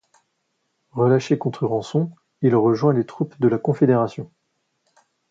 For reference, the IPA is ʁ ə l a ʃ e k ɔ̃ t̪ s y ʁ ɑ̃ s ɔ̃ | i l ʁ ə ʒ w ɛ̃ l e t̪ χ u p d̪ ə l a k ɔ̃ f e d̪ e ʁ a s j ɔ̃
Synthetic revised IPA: ʁ ə l a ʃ e k ɔ̃ t̪ χ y ʁ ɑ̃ s ɔ̃ | i l ʁ ə ʒ w ɛ̃ l e t̪ χ u p d̪ ə l a k ɔ̃ f e d̪ e ʁ a s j ɔ̃